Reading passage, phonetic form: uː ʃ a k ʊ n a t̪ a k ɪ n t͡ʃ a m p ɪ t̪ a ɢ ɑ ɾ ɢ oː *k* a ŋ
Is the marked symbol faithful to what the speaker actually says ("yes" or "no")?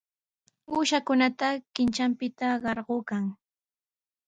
yes